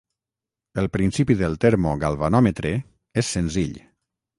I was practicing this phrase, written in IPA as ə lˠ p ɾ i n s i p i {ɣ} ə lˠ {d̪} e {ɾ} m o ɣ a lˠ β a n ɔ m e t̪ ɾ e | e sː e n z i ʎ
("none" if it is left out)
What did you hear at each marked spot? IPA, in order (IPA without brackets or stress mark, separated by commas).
ð, t̪, ɾ